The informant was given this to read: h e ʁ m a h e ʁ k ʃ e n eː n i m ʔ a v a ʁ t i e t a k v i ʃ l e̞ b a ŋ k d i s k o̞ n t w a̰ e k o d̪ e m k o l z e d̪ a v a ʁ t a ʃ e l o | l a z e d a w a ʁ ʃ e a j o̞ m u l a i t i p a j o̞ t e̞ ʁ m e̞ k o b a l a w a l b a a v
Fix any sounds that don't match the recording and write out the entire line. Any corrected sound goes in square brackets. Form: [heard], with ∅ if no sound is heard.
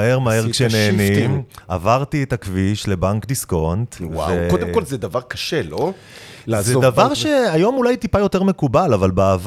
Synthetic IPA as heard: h e ʁ m a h e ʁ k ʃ e n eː n i m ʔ a v a ʁ t i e t a k v i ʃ l e̞ b a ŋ k d i s k o̞ n t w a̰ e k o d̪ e m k o l z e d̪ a v a ʁ [k] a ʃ e l o | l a z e d a [v] a ʁ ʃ e a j o̞ m u l a [j] t i p a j o̞ t e̞ ʁ m e̞ k [u] b a l a [v] a l b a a v